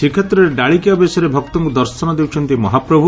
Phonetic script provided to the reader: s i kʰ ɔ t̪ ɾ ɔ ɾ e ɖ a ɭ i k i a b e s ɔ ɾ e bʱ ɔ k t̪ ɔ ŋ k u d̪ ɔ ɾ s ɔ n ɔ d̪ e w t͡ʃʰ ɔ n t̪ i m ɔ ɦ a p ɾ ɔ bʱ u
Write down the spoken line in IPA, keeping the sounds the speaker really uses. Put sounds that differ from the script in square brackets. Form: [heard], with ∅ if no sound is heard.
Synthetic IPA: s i kʰ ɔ t̪ ɾ ɔ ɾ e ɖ a ɭ i k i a b e s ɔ ɾ e bʱ ɔ k t̪ ɔ ŋ k u d̪ ɔ ɾ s ɔ n ɔ d̪ e w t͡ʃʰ ɔ n t̪ i m ɔ ɦ a p ɾ ɔ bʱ u